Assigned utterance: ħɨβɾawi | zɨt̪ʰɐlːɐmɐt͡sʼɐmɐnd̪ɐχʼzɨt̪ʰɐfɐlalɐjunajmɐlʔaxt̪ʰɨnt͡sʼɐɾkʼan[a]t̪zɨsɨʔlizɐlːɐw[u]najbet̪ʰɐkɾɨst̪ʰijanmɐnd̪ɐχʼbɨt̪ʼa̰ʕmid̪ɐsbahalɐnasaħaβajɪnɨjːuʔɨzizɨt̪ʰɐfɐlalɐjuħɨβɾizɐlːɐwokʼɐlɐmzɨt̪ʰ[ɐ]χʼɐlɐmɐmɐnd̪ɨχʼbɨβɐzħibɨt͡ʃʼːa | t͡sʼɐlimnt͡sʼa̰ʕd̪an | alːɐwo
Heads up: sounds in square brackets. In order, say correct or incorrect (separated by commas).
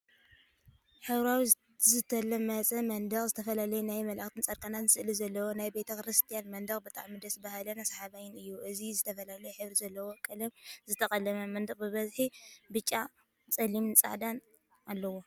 correct, incorrect, correct